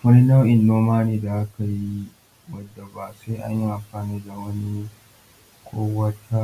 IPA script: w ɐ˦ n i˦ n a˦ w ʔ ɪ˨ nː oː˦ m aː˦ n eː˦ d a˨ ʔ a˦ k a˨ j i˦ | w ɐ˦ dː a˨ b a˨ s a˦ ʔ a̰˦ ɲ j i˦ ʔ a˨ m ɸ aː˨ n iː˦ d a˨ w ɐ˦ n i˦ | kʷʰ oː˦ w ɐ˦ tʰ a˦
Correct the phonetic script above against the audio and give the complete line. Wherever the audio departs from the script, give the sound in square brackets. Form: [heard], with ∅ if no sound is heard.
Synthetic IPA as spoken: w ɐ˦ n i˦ n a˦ w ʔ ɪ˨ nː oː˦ m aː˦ n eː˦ d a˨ ʔ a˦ k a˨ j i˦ | w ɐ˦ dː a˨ b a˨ s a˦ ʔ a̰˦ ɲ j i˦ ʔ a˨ m ɸ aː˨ n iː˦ d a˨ w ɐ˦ n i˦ | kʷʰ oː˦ w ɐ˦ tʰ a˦